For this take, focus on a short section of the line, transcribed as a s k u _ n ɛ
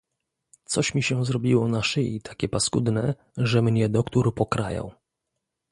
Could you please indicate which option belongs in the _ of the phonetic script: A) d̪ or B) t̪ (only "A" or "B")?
A